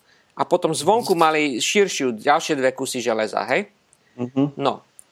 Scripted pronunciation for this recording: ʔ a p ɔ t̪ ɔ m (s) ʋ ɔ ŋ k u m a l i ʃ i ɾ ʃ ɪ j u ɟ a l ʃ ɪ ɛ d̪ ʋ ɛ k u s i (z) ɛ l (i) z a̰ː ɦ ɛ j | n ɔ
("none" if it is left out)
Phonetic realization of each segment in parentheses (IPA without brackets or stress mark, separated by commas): z, ʒ, ɛ